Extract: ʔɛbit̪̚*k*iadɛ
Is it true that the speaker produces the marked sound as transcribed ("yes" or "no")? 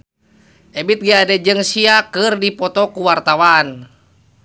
no